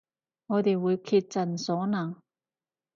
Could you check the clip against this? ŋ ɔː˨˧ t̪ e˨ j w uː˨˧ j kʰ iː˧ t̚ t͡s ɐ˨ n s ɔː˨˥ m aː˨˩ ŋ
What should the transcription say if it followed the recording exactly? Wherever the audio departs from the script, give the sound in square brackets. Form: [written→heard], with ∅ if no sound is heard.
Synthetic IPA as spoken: ŋ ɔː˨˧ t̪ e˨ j w uː˨˧ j kʰ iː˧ t̚ t͡s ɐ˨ n s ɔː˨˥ [m→n] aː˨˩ ŋ